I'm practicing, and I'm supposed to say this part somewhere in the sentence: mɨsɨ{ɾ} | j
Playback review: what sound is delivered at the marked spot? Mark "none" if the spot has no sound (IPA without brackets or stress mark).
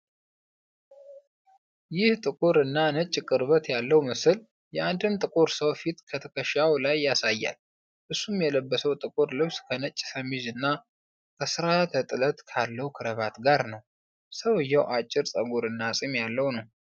l